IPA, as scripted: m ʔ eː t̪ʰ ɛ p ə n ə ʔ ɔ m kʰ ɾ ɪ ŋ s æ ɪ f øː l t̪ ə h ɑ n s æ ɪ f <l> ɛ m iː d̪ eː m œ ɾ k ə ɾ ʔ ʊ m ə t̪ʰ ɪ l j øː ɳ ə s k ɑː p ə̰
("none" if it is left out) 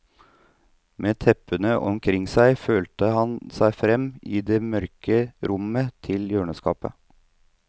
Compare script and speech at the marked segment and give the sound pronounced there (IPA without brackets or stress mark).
ɾ